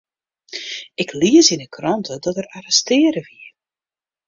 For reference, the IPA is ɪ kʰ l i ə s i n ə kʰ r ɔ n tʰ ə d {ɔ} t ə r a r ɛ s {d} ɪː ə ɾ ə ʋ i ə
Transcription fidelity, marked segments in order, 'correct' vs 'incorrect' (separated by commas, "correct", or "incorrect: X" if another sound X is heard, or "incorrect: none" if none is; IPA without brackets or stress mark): correct, incorrect: t